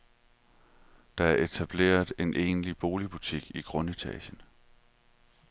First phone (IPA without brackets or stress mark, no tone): d̥